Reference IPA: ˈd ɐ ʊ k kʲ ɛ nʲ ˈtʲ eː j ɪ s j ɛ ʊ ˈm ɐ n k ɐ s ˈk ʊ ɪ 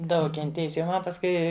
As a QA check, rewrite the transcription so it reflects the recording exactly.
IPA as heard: ˈd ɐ ʊ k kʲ ɛ nʲ ˈtʲ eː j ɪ s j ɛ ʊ ˈm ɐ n p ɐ s ˈk ʊ ɪ